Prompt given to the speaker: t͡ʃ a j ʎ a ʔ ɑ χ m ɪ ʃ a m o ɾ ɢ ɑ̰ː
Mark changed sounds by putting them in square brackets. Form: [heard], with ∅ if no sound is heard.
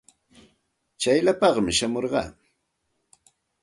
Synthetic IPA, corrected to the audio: t͡ʃ a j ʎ a [p] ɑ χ m ɪ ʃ a m o ɾ ɢ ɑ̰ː